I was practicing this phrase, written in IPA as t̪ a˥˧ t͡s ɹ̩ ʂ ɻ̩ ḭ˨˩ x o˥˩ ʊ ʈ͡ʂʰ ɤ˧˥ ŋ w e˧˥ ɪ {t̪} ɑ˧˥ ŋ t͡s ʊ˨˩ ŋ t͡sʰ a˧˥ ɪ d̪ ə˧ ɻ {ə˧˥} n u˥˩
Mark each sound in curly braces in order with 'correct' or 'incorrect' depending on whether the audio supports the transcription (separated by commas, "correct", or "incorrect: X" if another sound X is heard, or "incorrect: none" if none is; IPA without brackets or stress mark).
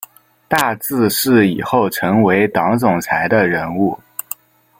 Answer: correct, correct